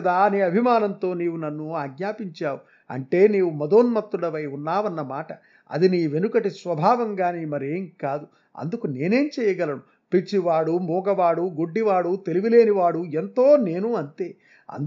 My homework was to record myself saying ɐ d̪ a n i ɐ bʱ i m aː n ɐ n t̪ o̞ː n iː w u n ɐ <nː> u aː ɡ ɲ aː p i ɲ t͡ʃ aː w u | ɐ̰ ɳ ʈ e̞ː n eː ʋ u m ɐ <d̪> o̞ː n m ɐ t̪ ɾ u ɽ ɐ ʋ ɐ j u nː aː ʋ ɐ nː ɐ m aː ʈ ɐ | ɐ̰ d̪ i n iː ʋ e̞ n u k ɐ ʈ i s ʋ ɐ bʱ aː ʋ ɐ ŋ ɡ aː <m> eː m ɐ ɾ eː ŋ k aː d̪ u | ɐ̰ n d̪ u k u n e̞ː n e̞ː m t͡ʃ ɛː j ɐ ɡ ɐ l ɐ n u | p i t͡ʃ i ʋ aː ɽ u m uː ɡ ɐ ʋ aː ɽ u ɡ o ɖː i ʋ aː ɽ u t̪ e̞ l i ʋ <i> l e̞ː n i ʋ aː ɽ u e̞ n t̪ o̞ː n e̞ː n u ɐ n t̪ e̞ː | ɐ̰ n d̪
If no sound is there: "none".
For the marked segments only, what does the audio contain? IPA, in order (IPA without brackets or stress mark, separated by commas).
nː, d̪, n, i